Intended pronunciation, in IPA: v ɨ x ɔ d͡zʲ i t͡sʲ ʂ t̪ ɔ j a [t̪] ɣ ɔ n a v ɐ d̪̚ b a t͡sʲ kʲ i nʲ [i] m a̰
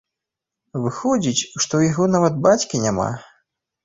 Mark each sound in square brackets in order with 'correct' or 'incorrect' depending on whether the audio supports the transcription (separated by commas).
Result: incorrect, incorrect